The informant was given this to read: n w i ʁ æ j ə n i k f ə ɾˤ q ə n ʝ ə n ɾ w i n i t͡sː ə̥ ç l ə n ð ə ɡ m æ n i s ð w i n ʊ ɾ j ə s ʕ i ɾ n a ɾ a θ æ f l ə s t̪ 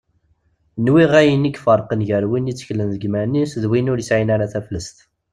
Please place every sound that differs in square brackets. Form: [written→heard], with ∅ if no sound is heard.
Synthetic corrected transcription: n w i ʁ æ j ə n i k f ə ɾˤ q ə n ʝ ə [n→∅] ɾ w i n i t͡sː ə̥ ç l ə n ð ə ɡ m æ n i s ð w i n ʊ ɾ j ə s ʕ i [ɾ→∅] n a ɾ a θ æ f l ə s t̪